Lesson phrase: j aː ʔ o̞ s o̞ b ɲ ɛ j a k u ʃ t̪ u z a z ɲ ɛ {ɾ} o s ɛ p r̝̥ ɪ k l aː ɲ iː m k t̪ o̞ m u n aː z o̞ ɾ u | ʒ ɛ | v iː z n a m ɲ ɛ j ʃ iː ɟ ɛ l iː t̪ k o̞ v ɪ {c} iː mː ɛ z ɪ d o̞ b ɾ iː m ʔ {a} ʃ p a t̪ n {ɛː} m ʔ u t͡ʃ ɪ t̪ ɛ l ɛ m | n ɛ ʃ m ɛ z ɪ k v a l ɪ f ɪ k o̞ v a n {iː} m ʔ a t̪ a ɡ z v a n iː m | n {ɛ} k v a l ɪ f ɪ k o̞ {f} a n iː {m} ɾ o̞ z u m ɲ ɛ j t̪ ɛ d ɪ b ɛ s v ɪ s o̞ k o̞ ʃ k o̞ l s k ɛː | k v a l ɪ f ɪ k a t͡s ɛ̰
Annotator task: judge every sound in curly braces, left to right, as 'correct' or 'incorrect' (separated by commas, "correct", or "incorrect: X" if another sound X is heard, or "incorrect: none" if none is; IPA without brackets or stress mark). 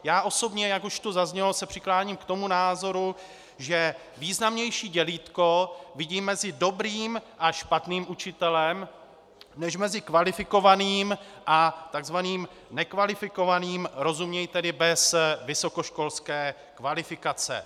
incorrect: l, incorrect: ɟ, correct, incorrect: iː, correct, correct, incorrect: v, correct